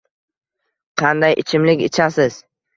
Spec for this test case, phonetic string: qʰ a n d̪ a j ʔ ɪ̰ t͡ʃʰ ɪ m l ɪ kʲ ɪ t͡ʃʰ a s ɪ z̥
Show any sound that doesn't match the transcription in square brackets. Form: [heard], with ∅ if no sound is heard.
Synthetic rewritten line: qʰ [ɑ] n d̪ a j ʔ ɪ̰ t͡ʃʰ ɪ m l ɪ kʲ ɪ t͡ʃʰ a s ɪ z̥